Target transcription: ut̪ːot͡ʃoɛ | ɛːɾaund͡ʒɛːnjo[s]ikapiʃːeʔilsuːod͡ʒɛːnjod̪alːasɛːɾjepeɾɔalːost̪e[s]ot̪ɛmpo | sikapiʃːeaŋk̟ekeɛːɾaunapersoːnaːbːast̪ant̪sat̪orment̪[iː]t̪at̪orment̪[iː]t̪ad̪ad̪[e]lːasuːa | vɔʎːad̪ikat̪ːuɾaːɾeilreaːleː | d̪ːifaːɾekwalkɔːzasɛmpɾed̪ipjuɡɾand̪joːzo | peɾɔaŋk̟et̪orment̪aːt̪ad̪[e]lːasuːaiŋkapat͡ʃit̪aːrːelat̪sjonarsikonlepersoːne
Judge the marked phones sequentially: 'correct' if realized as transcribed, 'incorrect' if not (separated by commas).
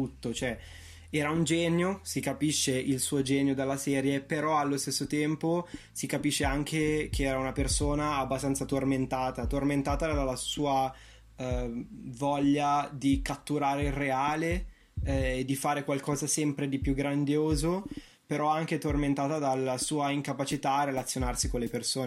correct, incorrect, incorrect, incorrect, incorrect, incorrect